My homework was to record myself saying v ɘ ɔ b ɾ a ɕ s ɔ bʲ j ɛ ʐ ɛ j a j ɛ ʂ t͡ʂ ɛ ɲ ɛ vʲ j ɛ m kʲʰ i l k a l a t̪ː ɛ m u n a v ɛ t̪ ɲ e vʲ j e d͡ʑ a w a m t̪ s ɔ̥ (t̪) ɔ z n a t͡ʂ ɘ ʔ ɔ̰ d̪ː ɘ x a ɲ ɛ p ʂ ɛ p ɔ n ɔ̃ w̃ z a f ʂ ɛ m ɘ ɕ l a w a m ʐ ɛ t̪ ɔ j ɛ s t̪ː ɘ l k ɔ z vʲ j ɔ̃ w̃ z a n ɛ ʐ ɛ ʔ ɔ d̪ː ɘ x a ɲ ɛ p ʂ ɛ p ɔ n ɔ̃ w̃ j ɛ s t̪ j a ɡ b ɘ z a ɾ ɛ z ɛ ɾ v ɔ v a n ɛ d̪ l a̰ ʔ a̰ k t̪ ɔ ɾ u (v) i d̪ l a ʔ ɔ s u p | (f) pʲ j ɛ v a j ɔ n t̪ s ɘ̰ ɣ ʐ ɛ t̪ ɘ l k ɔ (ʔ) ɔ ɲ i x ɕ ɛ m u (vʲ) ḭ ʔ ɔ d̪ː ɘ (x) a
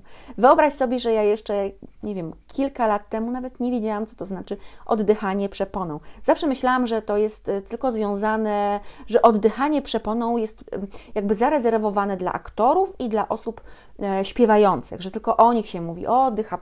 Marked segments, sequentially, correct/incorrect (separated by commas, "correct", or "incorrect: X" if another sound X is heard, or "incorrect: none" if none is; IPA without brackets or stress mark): correct, incorrect: f, incorrect: ɕ, correct, correct, correct